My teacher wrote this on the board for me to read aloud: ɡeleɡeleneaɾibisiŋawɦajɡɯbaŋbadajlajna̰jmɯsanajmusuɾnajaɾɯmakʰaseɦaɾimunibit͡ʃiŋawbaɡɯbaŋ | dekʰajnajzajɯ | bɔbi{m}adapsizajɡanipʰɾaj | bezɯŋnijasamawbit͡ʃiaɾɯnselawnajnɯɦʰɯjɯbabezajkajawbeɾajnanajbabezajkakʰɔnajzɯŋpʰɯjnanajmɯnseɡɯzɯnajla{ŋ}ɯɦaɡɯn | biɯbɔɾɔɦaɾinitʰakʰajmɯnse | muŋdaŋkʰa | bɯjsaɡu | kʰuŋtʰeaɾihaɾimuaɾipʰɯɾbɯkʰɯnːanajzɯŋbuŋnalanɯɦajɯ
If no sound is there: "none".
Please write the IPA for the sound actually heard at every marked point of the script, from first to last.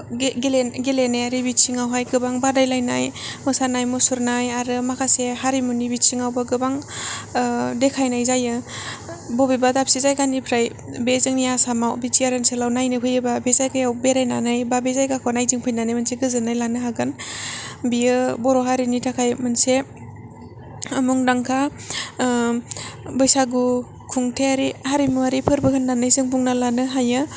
b, n

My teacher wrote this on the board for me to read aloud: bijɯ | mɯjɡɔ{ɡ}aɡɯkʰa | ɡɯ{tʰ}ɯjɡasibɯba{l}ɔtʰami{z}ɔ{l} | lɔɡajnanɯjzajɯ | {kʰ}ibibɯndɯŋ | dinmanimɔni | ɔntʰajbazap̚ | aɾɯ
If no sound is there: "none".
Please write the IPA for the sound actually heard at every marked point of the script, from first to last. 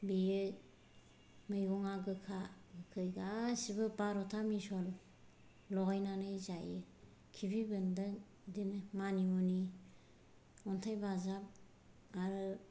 ŋ, kʰ, ɾ, s, l, kʰ

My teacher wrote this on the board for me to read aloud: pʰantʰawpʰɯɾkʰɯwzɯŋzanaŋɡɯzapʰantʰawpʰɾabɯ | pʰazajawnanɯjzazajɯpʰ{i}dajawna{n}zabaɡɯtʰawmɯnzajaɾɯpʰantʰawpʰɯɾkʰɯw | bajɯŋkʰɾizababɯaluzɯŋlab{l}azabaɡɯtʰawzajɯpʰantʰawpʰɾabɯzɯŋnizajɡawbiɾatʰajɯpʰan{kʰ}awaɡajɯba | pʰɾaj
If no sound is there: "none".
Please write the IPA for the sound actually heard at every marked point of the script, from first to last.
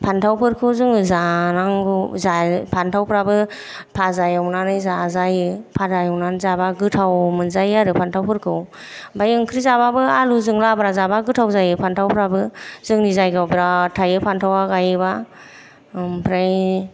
a, n, ɾ, tʰ

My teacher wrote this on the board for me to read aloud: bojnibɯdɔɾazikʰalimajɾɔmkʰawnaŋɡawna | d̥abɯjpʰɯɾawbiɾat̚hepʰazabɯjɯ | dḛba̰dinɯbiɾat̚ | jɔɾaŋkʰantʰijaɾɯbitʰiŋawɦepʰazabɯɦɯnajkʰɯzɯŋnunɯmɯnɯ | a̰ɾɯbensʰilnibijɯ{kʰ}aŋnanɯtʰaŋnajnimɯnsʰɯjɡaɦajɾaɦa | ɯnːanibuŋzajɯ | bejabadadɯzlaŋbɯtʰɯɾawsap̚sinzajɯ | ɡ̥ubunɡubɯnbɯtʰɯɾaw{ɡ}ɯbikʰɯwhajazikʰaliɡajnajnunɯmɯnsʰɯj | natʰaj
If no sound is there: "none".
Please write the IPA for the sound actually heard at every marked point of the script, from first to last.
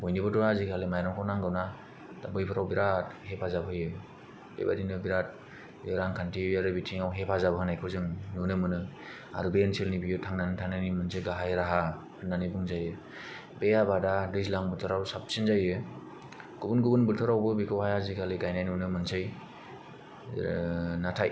tʰ, b

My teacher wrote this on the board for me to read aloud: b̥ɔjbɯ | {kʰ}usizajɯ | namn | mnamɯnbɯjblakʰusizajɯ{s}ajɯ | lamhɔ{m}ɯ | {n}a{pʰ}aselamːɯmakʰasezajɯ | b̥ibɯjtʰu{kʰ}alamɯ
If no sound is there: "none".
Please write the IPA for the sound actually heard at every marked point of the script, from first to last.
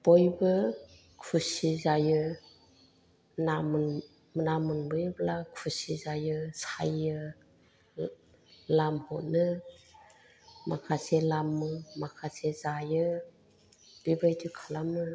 kʰ, s, n, m, kʰ, kʰ

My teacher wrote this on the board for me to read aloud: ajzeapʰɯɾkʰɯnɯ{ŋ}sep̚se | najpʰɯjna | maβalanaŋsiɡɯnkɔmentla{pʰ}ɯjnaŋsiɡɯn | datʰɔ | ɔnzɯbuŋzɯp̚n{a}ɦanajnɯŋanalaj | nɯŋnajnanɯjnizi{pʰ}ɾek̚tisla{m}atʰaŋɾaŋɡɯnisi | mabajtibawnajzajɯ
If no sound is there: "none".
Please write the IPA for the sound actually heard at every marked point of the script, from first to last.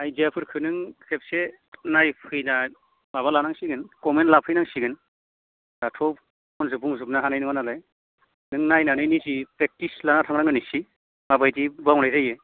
ŋ, pʰ, a, p, n

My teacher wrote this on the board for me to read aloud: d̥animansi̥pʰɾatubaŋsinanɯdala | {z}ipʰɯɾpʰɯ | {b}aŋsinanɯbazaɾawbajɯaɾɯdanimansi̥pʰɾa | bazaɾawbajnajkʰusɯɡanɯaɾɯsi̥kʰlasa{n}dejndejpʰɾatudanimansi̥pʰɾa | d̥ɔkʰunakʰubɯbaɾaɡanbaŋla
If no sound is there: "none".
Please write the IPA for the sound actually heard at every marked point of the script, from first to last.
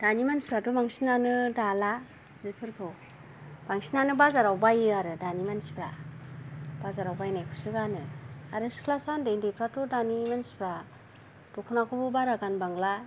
z, b, n

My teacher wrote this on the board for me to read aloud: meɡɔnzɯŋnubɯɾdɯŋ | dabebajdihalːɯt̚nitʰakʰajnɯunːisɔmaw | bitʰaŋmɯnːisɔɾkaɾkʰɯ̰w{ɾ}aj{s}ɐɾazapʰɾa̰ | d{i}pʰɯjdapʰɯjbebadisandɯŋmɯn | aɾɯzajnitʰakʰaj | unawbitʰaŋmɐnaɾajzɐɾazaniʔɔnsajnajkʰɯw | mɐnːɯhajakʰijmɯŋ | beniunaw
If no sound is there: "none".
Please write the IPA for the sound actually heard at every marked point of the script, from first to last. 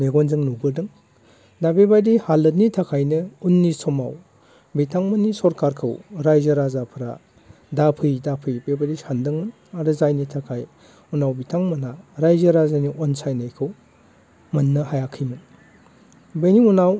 ɾ, z, a

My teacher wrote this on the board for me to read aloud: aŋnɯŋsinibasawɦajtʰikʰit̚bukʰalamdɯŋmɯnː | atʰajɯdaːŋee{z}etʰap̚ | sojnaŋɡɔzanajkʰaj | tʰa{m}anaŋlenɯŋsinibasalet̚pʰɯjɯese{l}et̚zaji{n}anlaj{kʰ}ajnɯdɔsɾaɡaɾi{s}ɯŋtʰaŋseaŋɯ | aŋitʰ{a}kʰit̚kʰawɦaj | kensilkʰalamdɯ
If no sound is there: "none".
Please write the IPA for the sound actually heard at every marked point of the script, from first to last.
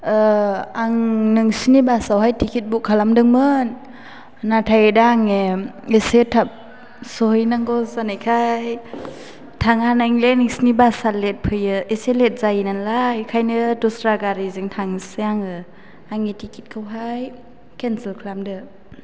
s, ŋ, l, n, kʰ, z, i

